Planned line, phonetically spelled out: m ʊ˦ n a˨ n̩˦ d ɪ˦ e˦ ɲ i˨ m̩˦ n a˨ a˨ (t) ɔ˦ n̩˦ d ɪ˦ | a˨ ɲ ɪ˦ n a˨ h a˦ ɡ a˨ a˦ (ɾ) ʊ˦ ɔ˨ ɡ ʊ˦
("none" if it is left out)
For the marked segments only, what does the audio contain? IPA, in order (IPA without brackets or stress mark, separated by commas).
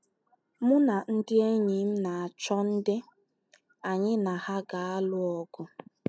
t͡ʃ, l